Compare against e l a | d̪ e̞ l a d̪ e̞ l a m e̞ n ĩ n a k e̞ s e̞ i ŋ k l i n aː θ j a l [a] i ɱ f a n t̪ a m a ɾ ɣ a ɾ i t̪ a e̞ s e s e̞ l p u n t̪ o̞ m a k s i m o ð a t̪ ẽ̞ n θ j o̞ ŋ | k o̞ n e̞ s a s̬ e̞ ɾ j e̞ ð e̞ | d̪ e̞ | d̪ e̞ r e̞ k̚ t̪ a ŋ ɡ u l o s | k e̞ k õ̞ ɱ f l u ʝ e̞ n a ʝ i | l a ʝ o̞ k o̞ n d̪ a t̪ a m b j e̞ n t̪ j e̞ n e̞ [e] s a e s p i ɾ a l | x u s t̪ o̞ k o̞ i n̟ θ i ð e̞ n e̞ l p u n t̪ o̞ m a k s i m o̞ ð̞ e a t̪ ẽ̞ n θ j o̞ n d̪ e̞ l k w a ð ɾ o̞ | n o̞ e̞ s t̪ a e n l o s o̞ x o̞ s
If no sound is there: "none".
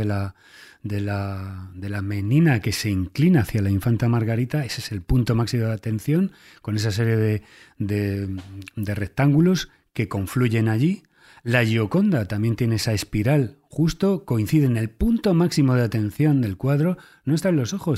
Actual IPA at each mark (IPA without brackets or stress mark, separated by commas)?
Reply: a, e